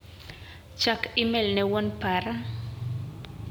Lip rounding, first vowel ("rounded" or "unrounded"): unrounded